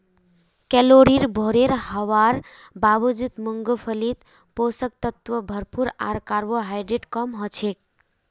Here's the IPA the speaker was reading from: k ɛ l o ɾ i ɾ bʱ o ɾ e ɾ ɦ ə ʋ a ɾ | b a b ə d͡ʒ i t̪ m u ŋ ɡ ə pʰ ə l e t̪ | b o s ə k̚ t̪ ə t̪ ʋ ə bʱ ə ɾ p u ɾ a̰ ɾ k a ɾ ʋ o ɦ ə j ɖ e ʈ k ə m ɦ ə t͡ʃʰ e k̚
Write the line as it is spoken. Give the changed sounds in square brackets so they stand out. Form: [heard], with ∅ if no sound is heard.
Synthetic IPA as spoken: k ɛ l o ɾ i ɾ bʱ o ɾ e ɾ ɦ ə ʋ a ɾ | b a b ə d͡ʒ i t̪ m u ŋ ɡ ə pʰ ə l [i] t̪ | [p] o s ə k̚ t̪ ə t̪ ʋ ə bʱ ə ɾ p u ɾ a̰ ɾ k a ɾ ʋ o ɦ [a] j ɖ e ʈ k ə m ɦ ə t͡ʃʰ e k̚